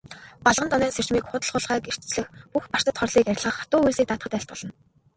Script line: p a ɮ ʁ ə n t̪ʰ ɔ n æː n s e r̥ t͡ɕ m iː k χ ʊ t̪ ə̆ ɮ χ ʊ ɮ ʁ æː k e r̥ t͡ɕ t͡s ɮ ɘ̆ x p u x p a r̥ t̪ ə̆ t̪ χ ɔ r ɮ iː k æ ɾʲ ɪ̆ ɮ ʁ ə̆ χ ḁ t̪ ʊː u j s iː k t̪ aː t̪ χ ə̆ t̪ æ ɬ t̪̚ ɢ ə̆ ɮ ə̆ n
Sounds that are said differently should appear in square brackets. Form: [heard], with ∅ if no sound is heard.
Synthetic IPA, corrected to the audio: p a ɮ ʁ ə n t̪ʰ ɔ n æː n s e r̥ t͡ɕ m iː k χ ʊ t̪ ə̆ ɮ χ ʊ ɮ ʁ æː k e r̥ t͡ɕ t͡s ɮ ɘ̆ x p u x p a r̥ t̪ ə̆ t̪ χ ɔ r ɮ iː k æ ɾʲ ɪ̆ ɮ ʁ ə̆ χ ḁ t̪ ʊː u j s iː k t̪ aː t̪ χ ə̆ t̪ æ ɬ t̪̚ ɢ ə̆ ɮ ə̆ n